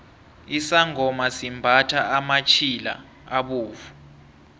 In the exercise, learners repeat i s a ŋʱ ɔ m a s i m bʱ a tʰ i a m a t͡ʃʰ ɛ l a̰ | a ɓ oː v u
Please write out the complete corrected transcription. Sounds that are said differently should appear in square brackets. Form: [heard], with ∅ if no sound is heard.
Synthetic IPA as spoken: i s a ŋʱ ɔ m a s i m bʱ a tʰ [a] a m a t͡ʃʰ [i] l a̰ | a ɓ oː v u

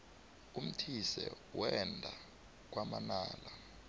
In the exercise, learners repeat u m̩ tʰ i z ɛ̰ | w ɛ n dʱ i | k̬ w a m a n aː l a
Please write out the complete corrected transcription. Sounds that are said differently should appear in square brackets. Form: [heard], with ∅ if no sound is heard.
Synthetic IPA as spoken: u m̩ tʰ i [s] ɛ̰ | w ɛ n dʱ [a] | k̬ w a m a n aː l a

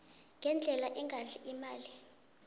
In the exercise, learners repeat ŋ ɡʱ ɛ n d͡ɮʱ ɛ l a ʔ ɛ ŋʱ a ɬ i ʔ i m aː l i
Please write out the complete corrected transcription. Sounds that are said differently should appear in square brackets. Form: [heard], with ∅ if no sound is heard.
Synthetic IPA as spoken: ŋ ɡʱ ɛ n d͡ɮʱ ɛ l a ʔ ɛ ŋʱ a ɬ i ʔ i m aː l i

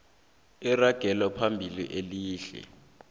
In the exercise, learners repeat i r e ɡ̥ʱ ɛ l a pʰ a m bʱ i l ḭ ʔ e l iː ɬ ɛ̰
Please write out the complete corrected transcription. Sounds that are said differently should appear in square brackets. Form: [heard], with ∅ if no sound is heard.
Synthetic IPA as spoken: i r [a] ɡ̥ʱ ɛ l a pʰ a m bʱ i l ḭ ʔ e l iː ɬ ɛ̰

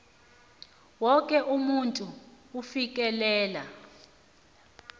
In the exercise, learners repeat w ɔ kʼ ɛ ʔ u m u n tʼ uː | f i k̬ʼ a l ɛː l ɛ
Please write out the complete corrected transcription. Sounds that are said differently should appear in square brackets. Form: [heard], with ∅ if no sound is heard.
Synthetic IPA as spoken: w ɔ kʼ ɛ ʔ u m u n tʼ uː | f i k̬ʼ [ɛ] l ɛː l [a]

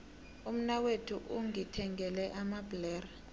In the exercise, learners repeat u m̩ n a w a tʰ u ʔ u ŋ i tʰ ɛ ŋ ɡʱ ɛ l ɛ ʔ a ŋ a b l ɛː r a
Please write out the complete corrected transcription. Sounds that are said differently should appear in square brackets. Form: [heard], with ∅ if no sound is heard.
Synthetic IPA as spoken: u m̩ n a w [e] tʰ u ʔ u ŋ i tʰ ɛ ŋ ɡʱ ɛ l ɛ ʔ a [m] a b l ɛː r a

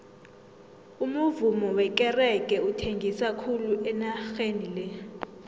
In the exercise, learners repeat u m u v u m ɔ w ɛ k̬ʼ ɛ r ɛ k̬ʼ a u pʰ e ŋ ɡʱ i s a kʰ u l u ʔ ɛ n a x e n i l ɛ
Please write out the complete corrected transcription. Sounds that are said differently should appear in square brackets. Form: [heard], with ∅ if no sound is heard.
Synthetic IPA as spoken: u m u v u m ɔ w ɛ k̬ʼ ɛ r ɛ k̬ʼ [ɛ] u [tʰ] e ŋ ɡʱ i s a kʰ u l u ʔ ɛ n a x e n i l ɛ

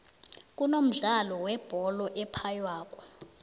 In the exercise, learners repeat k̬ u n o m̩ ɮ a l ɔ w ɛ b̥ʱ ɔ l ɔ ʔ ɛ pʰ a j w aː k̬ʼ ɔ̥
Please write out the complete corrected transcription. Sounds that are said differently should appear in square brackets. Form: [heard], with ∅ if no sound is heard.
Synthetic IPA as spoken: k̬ u n o m̩ ɮ a l ɔ w ɛ b̥ʱ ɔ l ɔ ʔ ɛ pʰ a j w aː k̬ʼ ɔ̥

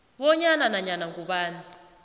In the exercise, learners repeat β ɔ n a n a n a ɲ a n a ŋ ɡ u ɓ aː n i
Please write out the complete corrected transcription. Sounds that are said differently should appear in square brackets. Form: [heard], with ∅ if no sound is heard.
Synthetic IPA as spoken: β ɔ [ɲ] a n a n a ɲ a n a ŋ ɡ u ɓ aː n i

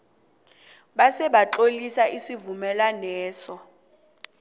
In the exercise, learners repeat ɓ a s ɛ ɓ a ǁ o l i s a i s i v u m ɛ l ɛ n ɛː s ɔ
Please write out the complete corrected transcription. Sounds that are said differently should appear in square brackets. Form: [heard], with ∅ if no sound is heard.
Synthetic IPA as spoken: ɓ a s ɛ ɓ a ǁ o l i s a i s i v u m ɛ l [a] n ɛː s ɔ

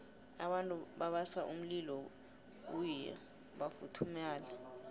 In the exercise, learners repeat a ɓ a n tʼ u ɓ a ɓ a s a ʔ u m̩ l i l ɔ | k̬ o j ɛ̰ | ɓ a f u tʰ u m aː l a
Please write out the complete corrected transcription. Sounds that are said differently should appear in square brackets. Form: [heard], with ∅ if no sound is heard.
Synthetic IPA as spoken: a ɓ a n tʼ u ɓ a ɓ a s a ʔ u m̩ l i l ɔ | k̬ [u] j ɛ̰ | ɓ a f u tʰ u m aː l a

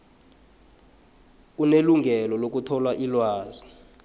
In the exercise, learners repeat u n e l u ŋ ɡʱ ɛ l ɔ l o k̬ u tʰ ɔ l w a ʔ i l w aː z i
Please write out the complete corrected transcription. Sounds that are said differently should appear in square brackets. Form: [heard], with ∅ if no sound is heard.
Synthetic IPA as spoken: u n e l u ŋ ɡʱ ɛ l ɔ l o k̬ u tʰ ɔ l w a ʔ i l w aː z i

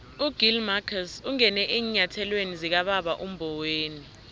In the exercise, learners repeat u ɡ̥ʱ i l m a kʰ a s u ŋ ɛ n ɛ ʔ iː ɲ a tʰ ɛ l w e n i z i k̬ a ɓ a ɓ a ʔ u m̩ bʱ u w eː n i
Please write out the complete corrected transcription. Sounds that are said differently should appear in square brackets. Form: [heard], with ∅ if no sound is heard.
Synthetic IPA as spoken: u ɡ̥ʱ i l m a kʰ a s u ŋ ɛ n ɛ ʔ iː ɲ a tʰ ɛ l w e n i z i k̬ a ɓ a ɓ a ʔ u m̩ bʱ [ɔ] w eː n i

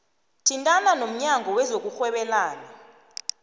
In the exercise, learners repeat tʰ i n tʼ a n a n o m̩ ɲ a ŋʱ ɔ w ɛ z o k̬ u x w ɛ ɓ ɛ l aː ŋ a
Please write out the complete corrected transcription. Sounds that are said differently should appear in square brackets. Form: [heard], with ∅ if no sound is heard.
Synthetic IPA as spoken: tʰ i n tʼ a n a n o m̩ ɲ a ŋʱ ɔ w ɛ z o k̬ u x w ɛ ɓ ɛ l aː [n] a

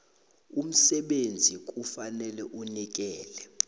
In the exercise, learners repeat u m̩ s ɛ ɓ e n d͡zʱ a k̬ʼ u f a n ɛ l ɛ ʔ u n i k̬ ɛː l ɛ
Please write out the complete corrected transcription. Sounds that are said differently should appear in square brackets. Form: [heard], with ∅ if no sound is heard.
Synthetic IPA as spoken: u m̩ s ɛ ɓ e n d͡zʱ [i] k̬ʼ u f a n ɛ l ɛ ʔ u n i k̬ ɛː l ɛ

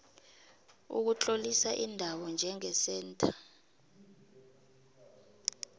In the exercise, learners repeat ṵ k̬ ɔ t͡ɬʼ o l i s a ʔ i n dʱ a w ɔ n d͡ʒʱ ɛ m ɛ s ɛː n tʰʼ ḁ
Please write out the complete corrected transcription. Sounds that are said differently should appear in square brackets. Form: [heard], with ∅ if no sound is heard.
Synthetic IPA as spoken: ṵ k̬ [u] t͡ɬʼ o l i s a ʔ i n dʱ a w ɔ n d͡ʒʱ ɛ [ŋ] ɛ s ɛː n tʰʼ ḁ

